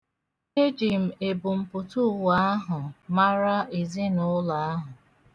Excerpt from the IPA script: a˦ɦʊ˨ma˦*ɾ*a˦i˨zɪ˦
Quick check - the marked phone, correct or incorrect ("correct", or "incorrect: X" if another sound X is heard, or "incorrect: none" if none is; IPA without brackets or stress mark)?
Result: correct